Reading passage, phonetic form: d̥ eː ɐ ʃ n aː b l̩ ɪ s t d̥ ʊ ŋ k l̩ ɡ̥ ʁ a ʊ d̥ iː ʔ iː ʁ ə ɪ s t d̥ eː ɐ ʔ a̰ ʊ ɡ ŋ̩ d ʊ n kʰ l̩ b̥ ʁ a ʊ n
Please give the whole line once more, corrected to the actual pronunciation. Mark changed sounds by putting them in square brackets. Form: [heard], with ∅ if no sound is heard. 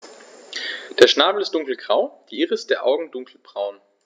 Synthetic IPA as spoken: d̥ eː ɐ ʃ n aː b l̩ ɪ s t d̥ ʊ ŋ k l̩ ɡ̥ ʁ a ʊ d̥ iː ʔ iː ʁ ə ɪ s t d̥ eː ɐ ʔ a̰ ʊ ɡ ŋ̩ d ʊ [ŋ] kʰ l̩ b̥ ʁ a ʊ n

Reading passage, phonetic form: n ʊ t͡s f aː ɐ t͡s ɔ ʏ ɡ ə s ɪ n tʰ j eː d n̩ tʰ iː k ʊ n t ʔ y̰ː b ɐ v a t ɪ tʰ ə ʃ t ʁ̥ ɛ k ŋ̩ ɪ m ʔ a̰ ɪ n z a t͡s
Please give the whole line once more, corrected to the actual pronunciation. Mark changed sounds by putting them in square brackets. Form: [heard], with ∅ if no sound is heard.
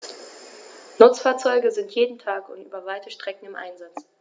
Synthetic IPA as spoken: n ʊ t͡s f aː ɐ t͡s ɔ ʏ ɡ ə [z] ɪ n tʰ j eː d n̩ tʰ [aː] k ʊ n t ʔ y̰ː b ɐ v a [∅] ɪ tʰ ə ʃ t ʁ̥ ɛ k ŋ̩ ɪ m ʔ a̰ ɪ n z a t͡s

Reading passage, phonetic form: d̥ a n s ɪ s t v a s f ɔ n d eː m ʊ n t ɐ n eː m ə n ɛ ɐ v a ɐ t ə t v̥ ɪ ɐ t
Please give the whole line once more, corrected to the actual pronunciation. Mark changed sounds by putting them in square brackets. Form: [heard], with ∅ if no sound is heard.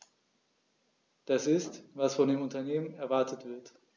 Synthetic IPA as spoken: d̥ a [∅] s ɪ s t v a s f ɔ n d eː m ʊ n t ɐ n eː m ə n ɛ ɐ v a ɐ t ə t v̥ ɪ ɐ t

